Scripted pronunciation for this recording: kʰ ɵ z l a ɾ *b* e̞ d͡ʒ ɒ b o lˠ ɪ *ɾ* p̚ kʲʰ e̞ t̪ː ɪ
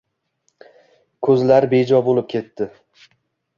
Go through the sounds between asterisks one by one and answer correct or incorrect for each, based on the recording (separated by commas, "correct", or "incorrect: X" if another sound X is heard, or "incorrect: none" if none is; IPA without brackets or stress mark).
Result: correct, incorrect: none